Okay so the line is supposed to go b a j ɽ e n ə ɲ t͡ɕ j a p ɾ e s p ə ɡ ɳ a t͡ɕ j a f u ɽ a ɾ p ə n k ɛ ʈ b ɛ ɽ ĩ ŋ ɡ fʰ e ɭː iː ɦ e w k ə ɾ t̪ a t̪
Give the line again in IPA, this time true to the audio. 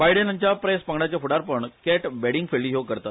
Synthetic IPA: b a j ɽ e n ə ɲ t͡ɕ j a p ɾ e s p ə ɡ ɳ a t͡ɕ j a f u ɽ a ɾ p ə ɳ k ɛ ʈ b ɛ ɽ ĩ ŋ ɡ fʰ e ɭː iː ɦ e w k ə ɾ t̪ a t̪